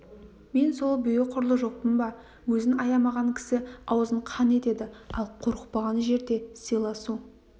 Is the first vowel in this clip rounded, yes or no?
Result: no